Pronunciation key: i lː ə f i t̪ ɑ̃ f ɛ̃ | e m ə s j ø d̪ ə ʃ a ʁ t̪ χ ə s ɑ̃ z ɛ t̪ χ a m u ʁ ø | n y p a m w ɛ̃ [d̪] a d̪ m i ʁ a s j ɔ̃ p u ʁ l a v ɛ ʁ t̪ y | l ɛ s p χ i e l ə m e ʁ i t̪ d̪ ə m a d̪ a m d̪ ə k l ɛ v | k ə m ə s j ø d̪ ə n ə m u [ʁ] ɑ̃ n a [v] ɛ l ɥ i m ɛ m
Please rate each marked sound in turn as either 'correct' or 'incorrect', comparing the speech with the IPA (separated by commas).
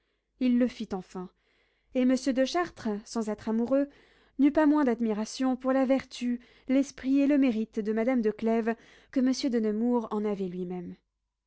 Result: correct, correct, correct